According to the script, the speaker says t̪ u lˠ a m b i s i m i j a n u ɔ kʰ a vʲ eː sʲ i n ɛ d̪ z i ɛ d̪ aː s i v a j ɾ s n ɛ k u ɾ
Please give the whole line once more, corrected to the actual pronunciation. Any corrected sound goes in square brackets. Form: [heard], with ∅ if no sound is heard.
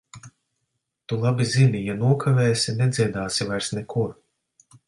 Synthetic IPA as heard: t̪ u lˠ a [∅] b i [z] i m i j a n u ɔ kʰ a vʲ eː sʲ i n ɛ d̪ z i ɛ d̪ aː s i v a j ɾ s n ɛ k u ɾ

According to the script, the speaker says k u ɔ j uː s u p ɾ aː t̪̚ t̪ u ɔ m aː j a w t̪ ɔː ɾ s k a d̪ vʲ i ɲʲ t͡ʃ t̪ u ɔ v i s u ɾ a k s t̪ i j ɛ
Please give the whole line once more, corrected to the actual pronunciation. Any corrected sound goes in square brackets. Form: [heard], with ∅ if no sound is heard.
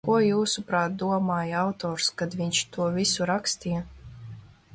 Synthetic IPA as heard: k u ɔ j uː s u p ɾ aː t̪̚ [d̪] u ɔ m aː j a w t̪ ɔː ɾ s k a d̪ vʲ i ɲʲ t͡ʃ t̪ u ɔ v i s u ɾ a k s t̪ i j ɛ

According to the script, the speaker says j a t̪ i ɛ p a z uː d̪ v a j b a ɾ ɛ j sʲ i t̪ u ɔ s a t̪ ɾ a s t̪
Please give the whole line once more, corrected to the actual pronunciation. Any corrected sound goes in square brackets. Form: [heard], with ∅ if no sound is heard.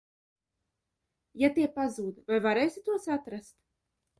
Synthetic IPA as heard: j a t̪ i ɛ p a z uː d̪ v a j [v] a ɾ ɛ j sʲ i t̪ u ɔ s a t̪ ɾ a s t̪

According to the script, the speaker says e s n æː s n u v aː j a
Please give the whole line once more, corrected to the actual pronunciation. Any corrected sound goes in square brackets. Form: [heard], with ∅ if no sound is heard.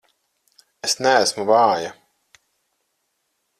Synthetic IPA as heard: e s n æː s [m] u v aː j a

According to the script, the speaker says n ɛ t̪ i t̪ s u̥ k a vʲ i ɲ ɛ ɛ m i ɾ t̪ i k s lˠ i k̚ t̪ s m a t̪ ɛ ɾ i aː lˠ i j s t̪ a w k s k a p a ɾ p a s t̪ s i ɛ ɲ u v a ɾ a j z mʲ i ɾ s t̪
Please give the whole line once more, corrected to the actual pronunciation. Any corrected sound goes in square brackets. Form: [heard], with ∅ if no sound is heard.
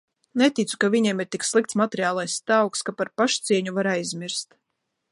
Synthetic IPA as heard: n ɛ t̪ i t̪ s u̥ k a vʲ i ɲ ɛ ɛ m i ɾ t̪ i k s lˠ i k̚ t̪ s m a t̪ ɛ ɾ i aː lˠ [a] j s t̪ a w k s k a p a ɾ p a [ʃ] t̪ s i ɛ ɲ u v a ɾ a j z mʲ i ɾ s t̪

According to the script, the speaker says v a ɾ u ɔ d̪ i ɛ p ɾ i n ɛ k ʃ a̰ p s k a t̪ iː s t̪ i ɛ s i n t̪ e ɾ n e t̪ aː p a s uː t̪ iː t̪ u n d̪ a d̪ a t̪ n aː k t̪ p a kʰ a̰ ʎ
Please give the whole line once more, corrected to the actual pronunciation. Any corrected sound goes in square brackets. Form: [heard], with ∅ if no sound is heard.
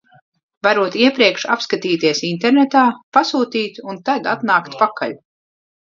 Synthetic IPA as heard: v a ɾ u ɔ [t̪] i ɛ p ɾ i [∅] ɛ k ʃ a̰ p s k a t̪ iː [∅] t̪ i ɛ s i n t̪ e ɾ n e t̪ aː p a s uː t̪ iː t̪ u n [t̪] a d̪ a t̪ n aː k t̪ p a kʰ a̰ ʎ

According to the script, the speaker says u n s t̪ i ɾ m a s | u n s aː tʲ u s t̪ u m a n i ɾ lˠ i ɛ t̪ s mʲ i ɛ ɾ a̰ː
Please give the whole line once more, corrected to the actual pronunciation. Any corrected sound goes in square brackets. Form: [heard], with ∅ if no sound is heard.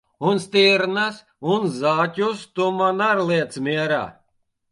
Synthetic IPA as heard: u n s t̪ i ɾ [n] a s | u n [z] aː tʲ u s t̪ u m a n [a] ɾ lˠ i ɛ t̪ s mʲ i ɛ ɾ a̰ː

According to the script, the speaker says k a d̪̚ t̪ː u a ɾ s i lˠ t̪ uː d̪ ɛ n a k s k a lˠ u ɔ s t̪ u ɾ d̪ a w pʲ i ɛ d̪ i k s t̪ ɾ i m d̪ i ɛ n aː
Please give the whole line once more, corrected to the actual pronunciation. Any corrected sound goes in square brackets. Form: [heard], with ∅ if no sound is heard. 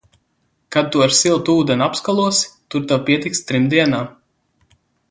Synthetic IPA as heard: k a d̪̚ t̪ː u a ɾ s i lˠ t̪ uː d̪ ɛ n a [p] s k a lˠ u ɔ s t̪ u ɾ [t̪] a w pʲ i ɛ [t̪] i k s t̪ ɾ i m d̪ i ɛ n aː

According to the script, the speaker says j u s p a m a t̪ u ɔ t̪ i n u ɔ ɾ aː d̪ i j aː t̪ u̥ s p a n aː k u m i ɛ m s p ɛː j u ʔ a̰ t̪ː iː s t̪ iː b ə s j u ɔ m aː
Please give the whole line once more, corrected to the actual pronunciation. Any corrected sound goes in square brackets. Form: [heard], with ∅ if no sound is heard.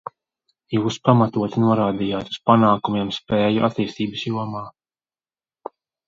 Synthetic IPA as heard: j [uː] s p a m a t̪ u ɔ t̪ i n u ɔ ɾ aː d̪ i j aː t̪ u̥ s p a n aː k u m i ɛ m s p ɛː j u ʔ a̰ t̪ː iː s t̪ iː b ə s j u ɔ m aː

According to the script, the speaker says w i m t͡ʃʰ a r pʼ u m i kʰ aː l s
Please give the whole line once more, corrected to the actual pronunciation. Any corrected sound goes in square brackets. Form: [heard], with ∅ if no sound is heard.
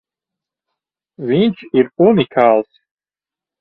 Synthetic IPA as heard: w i [n] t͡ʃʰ [i] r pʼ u [n] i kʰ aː l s

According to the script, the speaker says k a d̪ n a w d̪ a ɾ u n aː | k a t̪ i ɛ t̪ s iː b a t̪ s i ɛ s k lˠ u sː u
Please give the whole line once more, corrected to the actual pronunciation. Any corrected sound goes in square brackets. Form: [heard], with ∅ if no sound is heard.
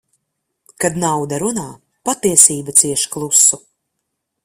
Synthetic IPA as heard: k a d̪ n a w d̪ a ɾ u n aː | [p] a t̪ i ɛ [∅] s iː b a t̪ s i ɛ [ʃ] k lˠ u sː u

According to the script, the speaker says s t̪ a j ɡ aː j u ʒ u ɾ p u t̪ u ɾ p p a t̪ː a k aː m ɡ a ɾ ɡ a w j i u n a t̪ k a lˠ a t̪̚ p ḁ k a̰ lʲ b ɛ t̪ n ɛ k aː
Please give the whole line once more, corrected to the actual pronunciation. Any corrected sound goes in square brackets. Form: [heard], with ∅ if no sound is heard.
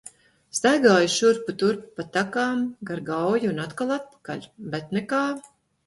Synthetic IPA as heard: s t̪ a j ɡ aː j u [ʃ] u ɾ p u t̪ u ɾ p p a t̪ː a k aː m ɡ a ɾ ɡ a w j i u n a t̪ k a lˠ a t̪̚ p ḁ k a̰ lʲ b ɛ t̪ n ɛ k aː

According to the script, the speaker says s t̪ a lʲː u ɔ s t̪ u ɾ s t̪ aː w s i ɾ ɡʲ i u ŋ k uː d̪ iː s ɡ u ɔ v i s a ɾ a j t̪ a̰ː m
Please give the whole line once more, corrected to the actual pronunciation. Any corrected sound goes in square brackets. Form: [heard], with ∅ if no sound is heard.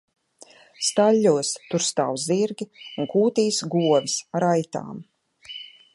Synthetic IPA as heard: s t̪ a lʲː u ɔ s t̪ u ɾ s t̪ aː w [z] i ɾ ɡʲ i u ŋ k uː [t̪] iː s ɡ u ɔ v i s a ɾ a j t̪ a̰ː m

